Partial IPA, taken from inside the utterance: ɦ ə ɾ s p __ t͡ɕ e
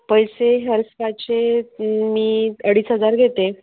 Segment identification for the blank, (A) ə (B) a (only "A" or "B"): B